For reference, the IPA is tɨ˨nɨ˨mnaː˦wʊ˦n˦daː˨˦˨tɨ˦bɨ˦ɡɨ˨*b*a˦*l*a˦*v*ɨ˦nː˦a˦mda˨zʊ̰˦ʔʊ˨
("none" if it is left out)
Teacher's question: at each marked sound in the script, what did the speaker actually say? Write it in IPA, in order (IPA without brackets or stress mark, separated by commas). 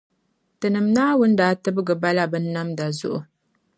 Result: b, l, b